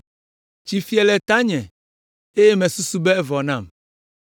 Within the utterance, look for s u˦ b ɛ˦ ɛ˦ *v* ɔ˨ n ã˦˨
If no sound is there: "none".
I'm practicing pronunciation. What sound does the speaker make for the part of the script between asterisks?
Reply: v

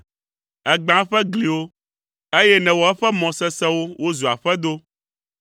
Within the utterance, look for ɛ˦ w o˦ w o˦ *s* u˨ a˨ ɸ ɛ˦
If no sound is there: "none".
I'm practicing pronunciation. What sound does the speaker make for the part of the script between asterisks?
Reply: z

